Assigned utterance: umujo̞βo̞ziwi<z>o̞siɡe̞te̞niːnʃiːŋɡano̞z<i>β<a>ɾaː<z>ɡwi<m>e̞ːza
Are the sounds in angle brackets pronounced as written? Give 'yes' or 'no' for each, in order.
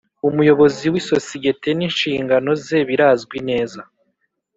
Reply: no, no, no, yes, no

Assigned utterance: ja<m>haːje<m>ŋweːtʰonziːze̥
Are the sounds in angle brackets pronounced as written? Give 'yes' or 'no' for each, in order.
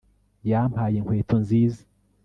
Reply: yes, no

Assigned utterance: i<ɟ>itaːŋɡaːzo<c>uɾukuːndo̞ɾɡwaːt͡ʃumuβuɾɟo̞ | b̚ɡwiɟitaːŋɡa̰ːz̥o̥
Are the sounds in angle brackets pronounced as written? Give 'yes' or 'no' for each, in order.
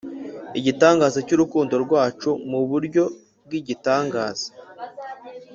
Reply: yes, yes

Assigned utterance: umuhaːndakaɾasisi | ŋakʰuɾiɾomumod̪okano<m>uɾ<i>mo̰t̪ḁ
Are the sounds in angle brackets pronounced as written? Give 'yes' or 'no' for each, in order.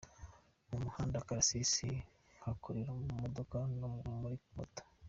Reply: yes, yes

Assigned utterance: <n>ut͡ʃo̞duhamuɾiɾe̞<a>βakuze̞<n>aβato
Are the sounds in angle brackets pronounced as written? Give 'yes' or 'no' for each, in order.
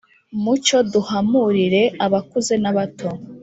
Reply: no, yes, yes

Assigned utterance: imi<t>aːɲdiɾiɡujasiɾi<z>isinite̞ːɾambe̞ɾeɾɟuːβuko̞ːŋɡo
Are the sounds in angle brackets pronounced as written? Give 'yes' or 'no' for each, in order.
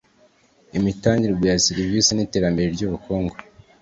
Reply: yes, no

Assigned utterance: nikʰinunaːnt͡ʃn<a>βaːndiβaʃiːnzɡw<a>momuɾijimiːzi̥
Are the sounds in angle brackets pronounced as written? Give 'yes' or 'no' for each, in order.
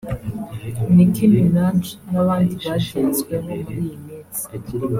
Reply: yes, no

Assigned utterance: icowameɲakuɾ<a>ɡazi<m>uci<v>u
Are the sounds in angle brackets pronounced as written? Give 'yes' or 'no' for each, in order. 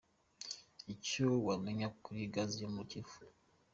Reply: no, yes, no

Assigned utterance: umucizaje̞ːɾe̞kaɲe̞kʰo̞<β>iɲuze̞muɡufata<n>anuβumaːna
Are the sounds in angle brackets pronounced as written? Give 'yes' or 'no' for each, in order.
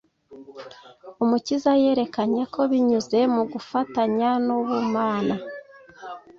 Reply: yes, no

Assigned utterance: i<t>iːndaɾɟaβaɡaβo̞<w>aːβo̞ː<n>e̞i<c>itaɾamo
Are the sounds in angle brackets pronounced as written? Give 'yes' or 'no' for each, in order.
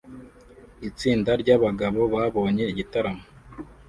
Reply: no, no, no, no

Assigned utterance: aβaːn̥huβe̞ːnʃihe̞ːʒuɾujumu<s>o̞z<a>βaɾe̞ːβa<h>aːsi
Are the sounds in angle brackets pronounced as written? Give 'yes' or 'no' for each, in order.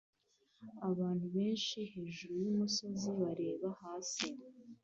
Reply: yes, no, yes

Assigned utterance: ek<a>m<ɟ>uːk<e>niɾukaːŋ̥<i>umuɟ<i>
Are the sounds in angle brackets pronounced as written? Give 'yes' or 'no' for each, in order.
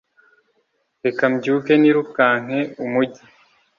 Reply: yes, yes, yes, no, yes

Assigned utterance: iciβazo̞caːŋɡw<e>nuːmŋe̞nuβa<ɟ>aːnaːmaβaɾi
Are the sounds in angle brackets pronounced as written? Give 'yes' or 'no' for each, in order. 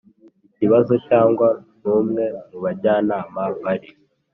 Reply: no, yes

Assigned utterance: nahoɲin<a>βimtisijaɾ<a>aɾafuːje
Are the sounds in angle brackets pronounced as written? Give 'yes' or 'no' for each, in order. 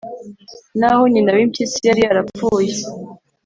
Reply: yes, no

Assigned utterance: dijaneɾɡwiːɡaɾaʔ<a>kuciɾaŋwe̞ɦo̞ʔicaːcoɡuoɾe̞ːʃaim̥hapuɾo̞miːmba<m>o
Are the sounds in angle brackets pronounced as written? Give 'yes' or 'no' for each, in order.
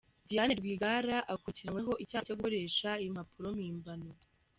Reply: yes, no

